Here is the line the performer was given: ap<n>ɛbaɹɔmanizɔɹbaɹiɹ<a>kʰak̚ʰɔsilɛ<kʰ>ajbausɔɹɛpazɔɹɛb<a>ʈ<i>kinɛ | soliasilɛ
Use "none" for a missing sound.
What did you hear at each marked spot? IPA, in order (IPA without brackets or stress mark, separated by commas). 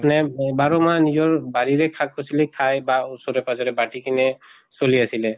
n, ɛ, kʰ, a, i